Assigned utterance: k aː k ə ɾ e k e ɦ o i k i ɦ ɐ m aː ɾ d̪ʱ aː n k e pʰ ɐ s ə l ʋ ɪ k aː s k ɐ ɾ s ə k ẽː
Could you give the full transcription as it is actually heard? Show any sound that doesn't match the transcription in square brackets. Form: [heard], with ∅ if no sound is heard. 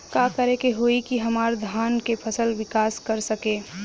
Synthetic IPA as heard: k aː k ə ɾ e k e ɦ o i k i ɦ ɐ m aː ɾ d̪ʱ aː n k e pʰ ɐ s ə l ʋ ɪ k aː s k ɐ ɾ s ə k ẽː